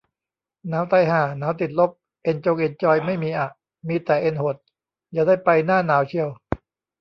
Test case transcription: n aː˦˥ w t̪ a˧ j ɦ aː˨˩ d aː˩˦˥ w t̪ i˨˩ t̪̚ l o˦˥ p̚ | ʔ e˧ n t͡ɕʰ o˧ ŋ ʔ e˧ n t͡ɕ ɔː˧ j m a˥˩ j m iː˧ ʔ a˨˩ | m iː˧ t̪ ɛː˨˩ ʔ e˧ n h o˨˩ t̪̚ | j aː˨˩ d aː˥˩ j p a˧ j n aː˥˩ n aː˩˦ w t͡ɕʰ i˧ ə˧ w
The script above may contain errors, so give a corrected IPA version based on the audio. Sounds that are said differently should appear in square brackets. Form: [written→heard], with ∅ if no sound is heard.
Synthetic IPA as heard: n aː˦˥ w t̪ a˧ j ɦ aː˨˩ [d→n] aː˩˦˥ w t̪ i˨˩ t̪̚ l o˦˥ p̚ | ʔ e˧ n [t͡ɕʰ→t͡ɕ] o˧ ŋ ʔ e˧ n t͡ɕ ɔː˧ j m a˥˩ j m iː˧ ʔ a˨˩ | m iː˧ t̪ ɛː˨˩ ʔ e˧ n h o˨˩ t̪̚ | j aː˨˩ d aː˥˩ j p a˧ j n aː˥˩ n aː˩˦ w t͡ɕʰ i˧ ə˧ w